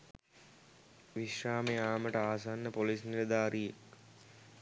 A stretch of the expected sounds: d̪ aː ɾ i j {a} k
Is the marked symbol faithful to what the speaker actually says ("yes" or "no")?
no